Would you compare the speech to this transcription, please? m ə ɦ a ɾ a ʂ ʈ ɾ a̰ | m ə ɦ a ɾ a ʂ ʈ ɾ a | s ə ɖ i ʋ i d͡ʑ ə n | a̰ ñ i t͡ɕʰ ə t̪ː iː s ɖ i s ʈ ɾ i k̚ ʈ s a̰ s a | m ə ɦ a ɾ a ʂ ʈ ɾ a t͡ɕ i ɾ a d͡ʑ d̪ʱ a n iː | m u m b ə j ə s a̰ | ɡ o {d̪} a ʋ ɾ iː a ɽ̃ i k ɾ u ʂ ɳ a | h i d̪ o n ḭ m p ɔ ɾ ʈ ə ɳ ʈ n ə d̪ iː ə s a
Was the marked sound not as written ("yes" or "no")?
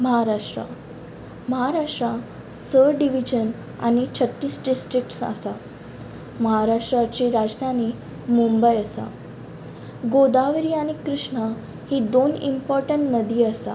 no